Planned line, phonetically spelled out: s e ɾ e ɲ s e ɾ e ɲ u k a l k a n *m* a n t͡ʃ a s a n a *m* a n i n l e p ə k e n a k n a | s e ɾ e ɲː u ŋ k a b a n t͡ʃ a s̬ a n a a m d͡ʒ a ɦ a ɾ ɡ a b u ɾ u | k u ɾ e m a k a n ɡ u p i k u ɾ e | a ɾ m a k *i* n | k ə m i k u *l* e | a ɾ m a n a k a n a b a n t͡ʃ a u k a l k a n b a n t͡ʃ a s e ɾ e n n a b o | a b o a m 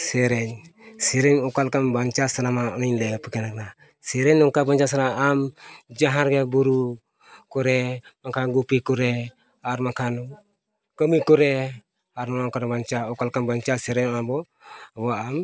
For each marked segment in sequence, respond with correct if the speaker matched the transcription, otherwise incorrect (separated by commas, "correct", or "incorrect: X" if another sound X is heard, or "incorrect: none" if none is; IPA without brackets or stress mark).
incorrect: b, correct, incorrect: a, incorrect: ɾ